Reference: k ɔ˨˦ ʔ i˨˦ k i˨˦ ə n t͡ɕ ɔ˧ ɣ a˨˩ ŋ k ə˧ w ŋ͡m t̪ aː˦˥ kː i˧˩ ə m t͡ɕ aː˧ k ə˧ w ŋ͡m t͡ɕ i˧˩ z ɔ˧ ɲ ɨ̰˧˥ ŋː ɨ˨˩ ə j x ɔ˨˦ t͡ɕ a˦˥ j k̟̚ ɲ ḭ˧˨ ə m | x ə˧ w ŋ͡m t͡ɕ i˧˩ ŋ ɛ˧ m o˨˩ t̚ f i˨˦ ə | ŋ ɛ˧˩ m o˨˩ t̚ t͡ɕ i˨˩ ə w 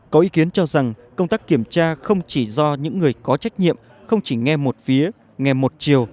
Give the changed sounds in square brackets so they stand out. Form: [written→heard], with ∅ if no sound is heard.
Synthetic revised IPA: k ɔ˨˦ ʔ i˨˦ k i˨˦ ə n t͡ɕ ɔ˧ [ɣ→z] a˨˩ ŋ k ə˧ w ŋ͡m t̪ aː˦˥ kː i˧˩ ə m t͡ɕ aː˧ [k→x] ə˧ w ŋ͡m t͡ɕ i˧˩ z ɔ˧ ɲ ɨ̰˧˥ ŋː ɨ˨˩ ə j [x→k] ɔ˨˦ t͡ɕ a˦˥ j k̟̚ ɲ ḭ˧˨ ə m | x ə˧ w ŋ͡m t͡ɕ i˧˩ ŋ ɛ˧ m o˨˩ t̚ f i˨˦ ə | ŋ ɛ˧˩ m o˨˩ t̚ t͡ɕ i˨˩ ə w